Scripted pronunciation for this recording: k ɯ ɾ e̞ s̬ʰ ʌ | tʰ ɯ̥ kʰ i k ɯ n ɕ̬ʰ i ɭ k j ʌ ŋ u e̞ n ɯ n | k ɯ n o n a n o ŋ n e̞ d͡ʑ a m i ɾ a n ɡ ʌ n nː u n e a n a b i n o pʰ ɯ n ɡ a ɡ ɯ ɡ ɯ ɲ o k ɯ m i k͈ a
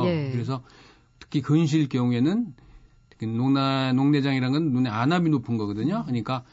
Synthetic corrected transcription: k ɯ ɾ e̞ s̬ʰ ʌ | tʰ ɯ̥ kʰ i k ɯ n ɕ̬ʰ i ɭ k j ʌ ŋ u e̞ n ɯ n | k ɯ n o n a n o ŋ n e̞ d͡ʑ a ŋ i ɾ a n ɡ ʌ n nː u n e a n a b i n o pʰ ɯ n ɡ ʌ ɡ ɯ d ɯ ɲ o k ɯ ɲ i k͈ a